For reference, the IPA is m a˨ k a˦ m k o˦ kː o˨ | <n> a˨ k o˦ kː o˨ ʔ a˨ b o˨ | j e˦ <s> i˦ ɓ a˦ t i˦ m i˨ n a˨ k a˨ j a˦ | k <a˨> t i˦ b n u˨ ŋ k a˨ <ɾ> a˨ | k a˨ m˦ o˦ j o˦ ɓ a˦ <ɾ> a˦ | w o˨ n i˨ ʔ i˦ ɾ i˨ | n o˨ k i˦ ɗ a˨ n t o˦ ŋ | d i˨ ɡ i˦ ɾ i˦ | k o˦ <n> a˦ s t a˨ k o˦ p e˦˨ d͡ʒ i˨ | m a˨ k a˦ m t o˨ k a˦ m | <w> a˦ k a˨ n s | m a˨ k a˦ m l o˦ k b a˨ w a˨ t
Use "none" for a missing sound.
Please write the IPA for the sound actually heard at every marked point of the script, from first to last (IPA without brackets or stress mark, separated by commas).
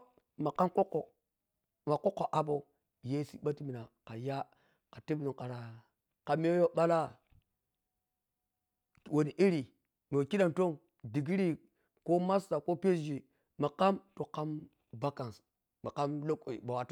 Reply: m, s, a˨, ɾ, l, m, b